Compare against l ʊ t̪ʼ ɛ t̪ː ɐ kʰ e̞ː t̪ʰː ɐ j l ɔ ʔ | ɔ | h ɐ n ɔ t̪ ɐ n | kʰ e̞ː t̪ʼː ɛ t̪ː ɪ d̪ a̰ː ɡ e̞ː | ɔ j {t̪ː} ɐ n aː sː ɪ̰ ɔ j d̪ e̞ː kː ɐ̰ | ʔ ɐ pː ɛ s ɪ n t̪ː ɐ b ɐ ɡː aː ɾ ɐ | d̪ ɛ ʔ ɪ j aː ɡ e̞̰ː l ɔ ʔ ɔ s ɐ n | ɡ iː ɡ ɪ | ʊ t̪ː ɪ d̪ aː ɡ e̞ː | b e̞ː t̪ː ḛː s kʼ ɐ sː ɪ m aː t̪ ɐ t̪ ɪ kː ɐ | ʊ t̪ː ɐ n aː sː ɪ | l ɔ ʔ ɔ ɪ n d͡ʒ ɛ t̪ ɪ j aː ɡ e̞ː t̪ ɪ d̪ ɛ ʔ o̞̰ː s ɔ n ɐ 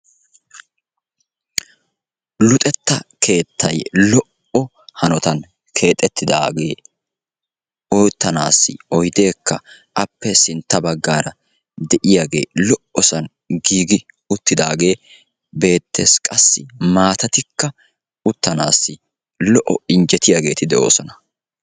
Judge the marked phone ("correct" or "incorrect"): correct